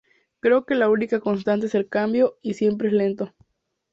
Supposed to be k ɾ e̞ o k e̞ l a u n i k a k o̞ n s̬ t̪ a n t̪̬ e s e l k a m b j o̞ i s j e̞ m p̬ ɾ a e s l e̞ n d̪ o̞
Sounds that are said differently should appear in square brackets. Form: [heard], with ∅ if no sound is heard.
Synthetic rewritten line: k ɾ e̞ o k e̞ l a u n i k a k o̞ n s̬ t̪ a n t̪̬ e s e l k a m b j o̞ i s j e̞ m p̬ ɾ [e] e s l e̞ n [t̪] o̞

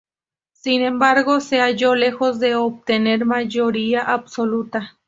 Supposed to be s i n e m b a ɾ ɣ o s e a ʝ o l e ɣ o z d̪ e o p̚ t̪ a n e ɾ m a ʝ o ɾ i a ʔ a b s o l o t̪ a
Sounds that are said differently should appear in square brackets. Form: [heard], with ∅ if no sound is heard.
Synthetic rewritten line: s i n e m b a ɾ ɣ o s e a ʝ o l e [x] o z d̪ e o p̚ t̪ [e] n e ɾ m a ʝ o ɾ i a ʔ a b s o l [u] t̪ a

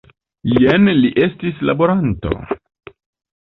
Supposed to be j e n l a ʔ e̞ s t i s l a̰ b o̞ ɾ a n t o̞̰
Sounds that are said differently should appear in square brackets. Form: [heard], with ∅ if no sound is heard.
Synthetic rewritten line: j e n l [i] ʔ e̞ s t i s l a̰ b o̞ ɾ a n t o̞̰

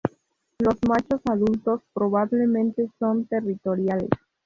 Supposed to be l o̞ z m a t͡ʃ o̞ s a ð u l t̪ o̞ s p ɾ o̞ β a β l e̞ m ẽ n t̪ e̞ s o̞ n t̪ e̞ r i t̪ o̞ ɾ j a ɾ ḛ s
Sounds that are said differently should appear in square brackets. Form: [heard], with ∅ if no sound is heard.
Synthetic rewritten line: l o̞ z m a t͡ʃ o̞ s a ð u l t̪ o̞ s p ɾ o̞ β a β l e̞ m ẽ n t̪ e̞ s o̞ n t̪ e̞ r i t̪ o̞ ɾ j a [l] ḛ s

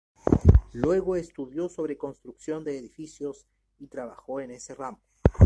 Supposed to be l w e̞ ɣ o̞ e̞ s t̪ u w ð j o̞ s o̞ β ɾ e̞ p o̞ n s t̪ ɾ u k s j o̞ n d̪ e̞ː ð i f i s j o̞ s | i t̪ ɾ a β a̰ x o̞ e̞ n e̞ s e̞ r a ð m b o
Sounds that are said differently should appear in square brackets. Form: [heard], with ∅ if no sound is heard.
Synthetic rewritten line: l w e̞ ɣ o̞ e̞ s t̪ u [∅] ð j o̞ s o̞ β ɾ e̞ [k] o̞ n s t̪ ɾ u k s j o̞ n d̪ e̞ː ð i f i s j o̞ s | i t̪ ɾ a β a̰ x o̞ e̞ n e̞ s e̞ r a [∅] m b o

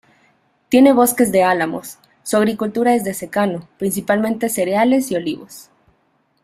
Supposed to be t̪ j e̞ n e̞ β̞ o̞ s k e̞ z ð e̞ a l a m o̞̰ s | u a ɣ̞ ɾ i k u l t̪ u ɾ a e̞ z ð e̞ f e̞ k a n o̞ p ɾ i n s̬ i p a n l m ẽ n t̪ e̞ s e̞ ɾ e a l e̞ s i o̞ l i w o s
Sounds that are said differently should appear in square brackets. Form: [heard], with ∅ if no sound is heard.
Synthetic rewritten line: t̪ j e̞ n e̞ β̞ o̞ s k e̞ z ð e̞ a l a m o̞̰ [sː] | u a ɣ̞ ɾ i k u l t̪ u ɾ a e̞ z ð e̞ [s] e̞ k a n o̞ p ɾ i n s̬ i p a [∅] l m ẽ n t̪ e̞ s e̞ ɾ e a l e̞ s i o̞ l i [β] o s

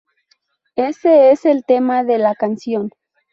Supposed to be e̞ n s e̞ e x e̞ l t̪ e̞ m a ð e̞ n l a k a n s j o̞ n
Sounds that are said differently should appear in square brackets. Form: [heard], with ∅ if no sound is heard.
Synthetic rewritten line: e̞ [∅] s e̞ e [s] e̞ l t̪ e̞ m a ð e̞ [∅] l a k a n s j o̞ n

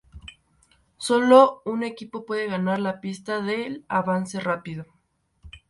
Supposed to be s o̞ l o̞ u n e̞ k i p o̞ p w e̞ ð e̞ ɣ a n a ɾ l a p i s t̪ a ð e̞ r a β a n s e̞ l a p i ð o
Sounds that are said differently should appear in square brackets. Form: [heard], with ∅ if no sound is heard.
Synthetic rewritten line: s o̞ l o̞ u n e̞ k i p o̞ p w e̞ ð e̞ ɣ a n a ɾ l a p i s t̪ a ð e̞ [l] a β a n s e̞ [r] a p i ð o

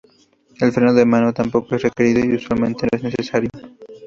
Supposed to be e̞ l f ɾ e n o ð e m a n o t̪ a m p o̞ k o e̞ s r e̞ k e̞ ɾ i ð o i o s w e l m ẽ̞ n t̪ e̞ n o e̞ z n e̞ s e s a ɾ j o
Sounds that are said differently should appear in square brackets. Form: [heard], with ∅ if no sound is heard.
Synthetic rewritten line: e̞ l f ɾ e n o ð e m a n o t̪ a m p o̞ k o e̞ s r e̞ k e̞ ɾ i ð o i [u] s w [a] l m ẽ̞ n t̪ e̞ n o e̞ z n e̞ s e s a ɾ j o

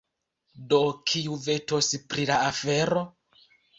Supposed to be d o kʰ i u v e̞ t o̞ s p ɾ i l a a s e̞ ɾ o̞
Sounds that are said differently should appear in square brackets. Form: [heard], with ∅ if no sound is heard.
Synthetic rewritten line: d o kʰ i u v e̞ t o̞ s p ɾ i l a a [f] e̞ ɾ o̞

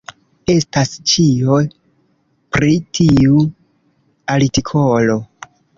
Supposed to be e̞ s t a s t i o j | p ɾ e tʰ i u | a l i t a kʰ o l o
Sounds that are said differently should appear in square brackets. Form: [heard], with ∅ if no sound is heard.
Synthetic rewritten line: e̞ s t a s [t͡ʃ] i o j | p ɾ [i] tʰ i u | a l i t [i] kʰ o l o

